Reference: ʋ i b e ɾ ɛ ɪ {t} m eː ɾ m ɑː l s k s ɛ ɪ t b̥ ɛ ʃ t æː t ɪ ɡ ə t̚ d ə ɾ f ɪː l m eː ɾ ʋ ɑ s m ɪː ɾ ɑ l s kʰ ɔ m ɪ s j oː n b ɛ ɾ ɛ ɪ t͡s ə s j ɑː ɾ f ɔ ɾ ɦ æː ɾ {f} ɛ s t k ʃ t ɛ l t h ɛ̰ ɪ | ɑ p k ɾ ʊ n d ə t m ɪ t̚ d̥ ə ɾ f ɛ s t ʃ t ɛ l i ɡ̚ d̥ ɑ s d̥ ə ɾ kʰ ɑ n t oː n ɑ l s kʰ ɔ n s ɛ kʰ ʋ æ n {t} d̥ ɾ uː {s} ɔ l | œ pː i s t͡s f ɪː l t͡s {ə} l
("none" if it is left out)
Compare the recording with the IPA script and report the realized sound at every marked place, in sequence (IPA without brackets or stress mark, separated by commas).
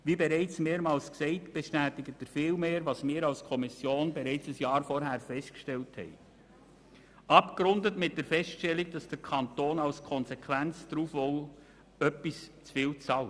t͡s, f, t͡s, f, ɑ